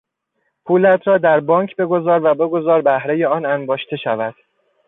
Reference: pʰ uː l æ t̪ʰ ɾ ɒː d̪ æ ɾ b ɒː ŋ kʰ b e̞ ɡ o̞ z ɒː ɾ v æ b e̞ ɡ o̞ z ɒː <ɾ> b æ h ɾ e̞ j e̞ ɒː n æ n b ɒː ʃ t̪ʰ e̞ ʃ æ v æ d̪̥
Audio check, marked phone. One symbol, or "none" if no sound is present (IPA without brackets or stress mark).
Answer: ɾ